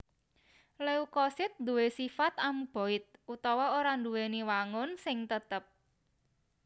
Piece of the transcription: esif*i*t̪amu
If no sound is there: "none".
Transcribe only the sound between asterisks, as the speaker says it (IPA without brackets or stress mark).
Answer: a